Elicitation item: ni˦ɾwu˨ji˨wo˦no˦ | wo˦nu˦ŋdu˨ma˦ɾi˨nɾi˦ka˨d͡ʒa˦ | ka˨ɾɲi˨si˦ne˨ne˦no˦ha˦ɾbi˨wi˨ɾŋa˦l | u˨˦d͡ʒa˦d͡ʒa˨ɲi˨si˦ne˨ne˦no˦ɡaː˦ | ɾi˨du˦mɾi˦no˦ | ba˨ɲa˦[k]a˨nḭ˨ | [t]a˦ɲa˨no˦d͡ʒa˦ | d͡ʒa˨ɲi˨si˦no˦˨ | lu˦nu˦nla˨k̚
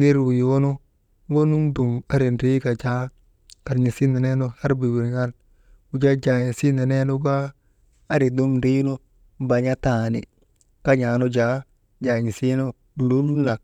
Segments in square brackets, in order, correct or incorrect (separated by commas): incorrect, incorrect